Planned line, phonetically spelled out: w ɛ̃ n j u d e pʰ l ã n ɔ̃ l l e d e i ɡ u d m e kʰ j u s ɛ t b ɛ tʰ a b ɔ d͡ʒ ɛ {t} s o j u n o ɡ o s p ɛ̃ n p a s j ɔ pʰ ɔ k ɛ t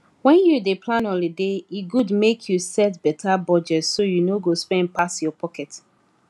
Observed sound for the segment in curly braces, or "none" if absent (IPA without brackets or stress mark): t